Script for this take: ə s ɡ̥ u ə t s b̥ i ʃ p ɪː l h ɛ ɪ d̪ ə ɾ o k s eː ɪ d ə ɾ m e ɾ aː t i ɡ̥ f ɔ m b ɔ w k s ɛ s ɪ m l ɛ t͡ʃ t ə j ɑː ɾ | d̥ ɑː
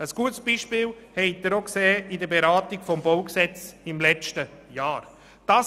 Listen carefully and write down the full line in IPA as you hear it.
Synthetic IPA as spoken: ə s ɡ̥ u ə t s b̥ i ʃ p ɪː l h ɛ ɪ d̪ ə ɾ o k s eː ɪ d ə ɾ b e ɾ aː t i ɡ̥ f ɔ m b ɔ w k s ɛ t͡s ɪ m l ɛ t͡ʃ t ə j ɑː ɾ | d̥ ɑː